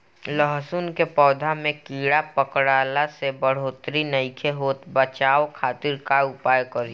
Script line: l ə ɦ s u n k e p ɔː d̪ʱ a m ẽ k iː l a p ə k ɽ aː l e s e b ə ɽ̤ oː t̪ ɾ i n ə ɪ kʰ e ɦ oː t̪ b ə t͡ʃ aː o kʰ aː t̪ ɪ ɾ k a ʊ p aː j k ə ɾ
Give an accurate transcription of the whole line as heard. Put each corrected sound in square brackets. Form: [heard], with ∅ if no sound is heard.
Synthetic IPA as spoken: l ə ɦ s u n k e p ɔː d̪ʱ a m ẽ k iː [ɽ] a p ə k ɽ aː l [a] s e b ə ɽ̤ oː t̪ ɾ i n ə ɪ kʰ e ɦ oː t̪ b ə t͡ʃ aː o kʰ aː t̪ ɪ ɾ k a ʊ p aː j k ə ɾ